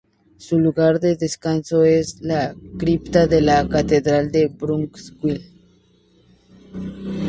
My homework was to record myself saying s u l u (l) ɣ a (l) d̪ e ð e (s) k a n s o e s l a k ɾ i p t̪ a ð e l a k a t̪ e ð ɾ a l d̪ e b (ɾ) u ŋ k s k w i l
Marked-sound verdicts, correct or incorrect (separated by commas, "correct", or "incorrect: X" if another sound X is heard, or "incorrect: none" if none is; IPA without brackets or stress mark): incorrect: none, incorrect: ɾ, correct, correct